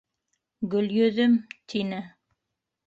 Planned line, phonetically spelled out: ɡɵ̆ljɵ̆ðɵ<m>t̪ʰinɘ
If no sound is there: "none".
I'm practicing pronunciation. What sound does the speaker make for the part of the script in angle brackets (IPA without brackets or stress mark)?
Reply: m